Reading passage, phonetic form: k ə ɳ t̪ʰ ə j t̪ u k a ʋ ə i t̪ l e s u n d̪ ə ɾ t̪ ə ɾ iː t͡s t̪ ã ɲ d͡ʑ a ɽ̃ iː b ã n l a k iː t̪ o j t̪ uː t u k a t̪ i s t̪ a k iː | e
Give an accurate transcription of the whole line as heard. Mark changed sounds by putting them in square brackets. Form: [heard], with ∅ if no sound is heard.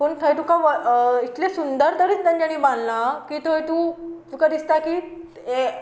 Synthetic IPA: [p] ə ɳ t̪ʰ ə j t̪ u k a ʋ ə i t̪ l e s u n d̪ ə ɾ t̪ ə ɾ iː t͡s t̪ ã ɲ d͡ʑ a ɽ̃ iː b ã n l a k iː t̪ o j t̪ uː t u k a [d̪] i s t̪ a k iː | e